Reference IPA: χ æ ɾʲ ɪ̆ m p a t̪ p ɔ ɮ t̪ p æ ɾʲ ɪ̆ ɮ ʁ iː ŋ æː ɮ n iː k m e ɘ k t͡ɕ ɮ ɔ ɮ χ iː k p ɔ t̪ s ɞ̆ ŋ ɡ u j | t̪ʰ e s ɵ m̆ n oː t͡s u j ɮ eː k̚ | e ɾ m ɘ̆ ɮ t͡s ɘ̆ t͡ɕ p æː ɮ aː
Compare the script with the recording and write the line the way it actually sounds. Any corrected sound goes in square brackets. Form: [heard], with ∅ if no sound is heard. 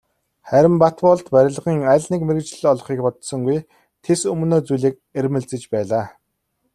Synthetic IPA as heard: χ æ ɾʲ ɪ̆ m p a t̪ p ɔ ɮ t̪ p æ ɾʲ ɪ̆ ɮ ʁ iː ŋ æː ɮ n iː k m e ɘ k t͡ɕ ɮ ɔ ɮ χ iː k p ɔ t̪ s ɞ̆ ŋ ɡ u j | t̪ʰ e s ɵ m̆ n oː t͡s u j ɮ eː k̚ | e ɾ m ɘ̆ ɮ t͡s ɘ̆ t͡ɕ p æː ɮ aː

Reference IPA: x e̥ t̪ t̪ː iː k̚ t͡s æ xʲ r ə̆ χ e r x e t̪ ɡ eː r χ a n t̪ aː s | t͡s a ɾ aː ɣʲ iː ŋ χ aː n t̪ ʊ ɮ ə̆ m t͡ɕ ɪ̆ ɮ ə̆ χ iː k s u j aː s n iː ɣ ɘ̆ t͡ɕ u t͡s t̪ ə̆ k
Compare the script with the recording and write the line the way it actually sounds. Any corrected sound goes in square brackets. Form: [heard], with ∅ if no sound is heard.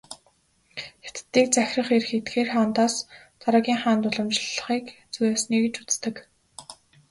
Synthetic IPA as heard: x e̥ t̪ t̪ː iː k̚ t͡s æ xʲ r ə̆ χ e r x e t̪ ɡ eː r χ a n t̪ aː s | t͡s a ɾ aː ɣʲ iː ŋ χ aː n t̪ ʊ ɮ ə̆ m t͡ɕ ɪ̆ ɮ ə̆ χ iː k [t͡s] u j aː s n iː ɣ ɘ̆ t͡ɕ u t͡s t̪ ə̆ k

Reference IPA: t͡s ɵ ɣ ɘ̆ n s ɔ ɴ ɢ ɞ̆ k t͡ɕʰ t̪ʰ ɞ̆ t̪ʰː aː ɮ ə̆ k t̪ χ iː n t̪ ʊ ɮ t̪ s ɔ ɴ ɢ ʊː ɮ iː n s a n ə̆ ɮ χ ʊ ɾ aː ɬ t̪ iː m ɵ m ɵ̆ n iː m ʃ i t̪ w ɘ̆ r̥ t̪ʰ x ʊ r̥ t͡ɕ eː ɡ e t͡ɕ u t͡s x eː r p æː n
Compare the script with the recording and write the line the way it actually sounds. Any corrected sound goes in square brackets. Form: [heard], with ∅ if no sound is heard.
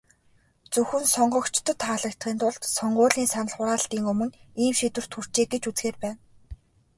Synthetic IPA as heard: t͡s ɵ [x] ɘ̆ n s ɔ ɴ ɢ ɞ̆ k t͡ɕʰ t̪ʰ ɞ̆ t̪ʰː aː ɮ ə̆ k t̪ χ iː n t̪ ʊ ɮ t̪ s ɔ ɴ ɢ ʊː ɮ iː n s a n ə̆ ɮ χ ʊ ɾ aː ɬ t̪ iː [ŋ] ɵ m ɵ̆ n iː m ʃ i t̪ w ɘ̆ r̥ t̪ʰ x [u] r̥ t͡ɕ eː ɡ e t͡ɕ u t͡s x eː r p æː n

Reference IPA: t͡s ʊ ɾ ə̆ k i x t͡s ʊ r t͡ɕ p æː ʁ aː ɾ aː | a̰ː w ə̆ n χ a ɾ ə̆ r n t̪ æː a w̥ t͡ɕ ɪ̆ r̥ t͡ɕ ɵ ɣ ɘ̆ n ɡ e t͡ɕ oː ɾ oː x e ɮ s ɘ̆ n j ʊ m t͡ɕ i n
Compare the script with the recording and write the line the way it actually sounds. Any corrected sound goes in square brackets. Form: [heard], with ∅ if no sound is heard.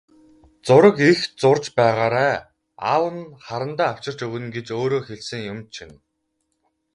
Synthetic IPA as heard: t͡s ʊ ɾ ə̆ k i x t͡s ʊ r t͡ɕ p æː ʁ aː ɾ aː | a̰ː w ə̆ n χ a ɾ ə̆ [∅] n t̪ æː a w̥ t͡ɕ ɪ̆ r̥ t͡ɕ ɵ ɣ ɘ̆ n ɡ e t͡ɕ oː ɾ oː x e ɮ s ɘ̆ [ŋ] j ʊ m [t͡ɕʰ] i n

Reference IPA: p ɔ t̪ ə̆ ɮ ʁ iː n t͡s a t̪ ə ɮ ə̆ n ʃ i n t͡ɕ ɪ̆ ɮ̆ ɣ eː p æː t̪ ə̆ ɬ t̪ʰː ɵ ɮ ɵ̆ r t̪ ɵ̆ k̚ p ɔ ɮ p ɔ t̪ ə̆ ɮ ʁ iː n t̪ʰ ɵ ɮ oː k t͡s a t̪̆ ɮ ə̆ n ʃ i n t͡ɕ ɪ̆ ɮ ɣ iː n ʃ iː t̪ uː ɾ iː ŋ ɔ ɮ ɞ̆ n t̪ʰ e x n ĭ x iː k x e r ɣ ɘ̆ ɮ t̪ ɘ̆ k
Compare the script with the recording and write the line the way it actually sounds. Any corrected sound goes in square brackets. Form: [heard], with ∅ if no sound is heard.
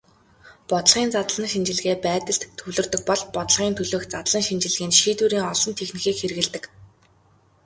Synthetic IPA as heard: p ɔ t̪ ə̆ ɮ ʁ iː n t͡s a t̪ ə ɮ ə̆ n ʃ i n t͡ɕ ɪ̆ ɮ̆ ɣ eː p æː t̪ ə̆ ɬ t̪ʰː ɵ ɮ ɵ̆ r t̪ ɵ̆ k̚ p ɔ ɮ p ɔ t̪ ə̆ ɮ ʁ iː n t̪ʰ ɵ ɮ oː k t͡s a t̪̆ ɮ ə̆ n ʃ i n t͡ɕ ɪ̆ ɮ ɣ iː n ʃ iː t̪ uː ɾ iː ŋ ɔ ɮ ɞ̆ n t̪ʰ e x n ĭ x iː k x e r ɣ ɘ̆ ɮ t̪ ɘ̆ k

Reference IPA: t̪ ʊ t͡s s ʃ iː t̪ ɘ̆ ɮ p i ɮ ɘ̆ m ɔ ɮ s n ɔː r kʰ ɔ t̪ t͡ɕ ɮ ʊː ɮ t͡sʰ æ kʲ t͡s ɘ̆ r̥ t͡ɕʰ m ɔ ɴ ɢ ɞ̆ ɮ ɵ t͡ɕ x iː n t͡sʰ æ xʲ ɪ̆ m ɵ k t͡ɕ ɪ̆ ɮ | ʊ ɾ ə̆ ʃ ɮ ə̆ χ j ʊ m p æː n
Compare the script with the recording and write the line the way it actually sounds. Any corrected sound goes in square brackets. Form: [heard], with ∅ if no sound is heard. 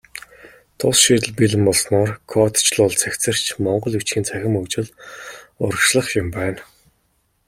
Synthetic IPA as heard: [t̪ʰ] ʊ [∅] s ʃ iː t̪ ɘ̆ ɮ p i ɮ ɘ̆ m ɔ ɮ s n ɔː r kʰ ɔ t̪ t͡ɕ ɮ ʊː ɮ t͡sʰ æ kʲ t͡s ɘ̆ r̥ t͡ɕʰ m ɔ ɴ ɢ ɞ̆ ɮ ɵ t͡ɕ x iː n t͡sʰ æ xʲ ɪ̆ m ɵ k t͡ɕ ɪ̆ ɮ | ʊ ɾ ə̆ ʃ ɮ ə̆ χ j ʊ m p æː n

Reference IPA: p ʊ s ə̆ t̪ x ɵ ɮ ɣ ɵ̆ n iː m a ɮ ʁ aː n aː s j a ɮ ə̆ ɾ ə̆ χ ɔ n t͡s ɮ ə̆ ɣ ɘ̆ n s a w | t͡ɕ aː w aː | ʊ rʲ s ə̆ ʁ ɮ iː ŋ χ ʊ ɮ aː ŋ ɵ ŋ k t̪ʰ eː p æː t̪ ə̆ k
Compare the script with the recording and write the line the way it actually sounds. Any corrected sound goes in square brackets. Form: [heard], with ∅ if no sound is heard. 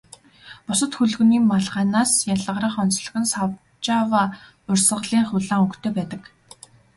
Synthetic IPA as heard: p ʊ s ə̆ t̪ x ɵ ɮ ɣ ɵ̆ n iː m a ɮ ʁ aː n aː s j a ɮ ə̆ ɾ ə̆ χ ɔ n t͡s ɮ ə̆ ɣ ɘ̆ n s a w | t͡ɕ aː w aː | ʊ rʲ s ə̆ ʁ ɮ iː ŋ χ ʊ ɮ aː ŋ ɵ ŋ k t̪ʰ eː p æː t̪ ə̆ k

